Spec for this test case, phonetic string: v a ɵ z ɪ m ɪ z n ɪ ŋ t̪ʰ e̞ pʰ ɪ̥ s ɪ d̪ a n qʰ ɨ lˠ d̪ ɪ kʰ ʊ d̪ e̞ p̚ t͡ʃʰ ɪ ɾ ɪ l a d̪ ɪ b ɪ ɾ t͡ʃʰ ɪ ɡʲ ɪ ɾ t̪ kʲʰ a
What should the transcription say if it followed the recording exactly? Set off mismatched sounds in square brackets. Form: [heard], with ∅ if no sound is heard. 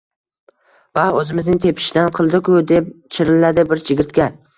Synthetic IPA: v a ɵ z ɪ m ɪ z n ɪ ŋ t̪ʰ e̞ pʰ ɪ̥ [ʃ] ɪ d̪ a n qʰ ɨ lˠ d̪ ɪ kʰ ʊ d̪ e̞ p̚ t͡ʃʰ ɪ ɾ ɪ l a d̪ ɪ b ɪ ɾ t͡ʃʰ ɪ ɡʲ ɪ ɾ t̪ [kʲ] a